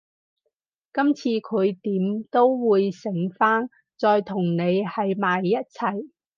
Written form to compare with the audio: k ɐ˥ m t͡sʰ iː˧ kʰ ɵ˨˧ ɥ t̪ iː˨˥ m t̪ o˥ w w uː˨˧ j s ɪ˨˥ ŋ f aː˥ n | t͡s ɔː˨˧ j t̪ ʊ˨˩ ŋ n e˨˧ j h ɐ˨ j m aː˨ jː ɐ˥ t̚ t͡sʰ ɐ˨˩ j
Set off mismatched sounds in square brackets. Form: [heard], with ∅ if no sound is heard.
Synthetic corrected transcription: k ɐ˥ m t͡sʰ iː˧ kʰ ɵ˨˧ ɥ t̪ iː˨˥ m t̪ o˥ w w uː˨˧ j s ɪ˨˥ ŋ f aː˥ n | t͡s ɔː˨˧ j [t̪ʰ] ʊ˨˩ ŋ n e˨˧ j h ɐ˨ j m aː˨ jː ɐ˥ t̚ t͡sʰ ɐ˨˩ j